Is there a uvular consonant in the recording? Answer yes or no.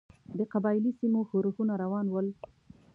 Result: yes